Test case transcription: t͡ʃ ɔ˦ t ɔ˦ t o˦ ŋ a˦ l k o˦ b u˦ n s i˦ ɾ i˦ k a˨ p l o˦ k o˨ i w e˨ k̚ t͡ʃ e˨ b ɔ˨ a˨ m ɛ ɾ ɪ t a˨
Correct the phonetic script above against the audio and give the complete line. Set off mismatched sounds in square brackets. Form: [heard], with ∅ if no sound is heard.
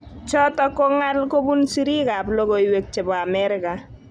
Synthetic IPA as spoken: t͡ʃ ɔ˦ t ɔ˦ [k] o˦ ŋ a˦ l k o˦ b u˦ n s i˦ ɾ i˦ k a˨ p l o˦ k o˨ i w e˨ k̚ t͡ʃ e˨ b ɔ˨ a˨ m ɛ ɾ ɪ [k] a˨